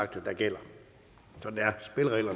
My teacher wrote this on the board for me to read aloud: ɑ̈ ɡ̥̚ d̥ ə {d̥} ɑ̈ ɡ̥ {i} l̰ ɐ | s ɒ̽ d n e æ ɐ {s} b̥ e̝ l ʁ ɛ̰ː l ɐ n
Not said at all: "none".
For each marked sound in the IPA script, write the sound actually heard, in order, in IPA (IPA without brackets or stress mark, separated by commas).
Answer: d̥, e, s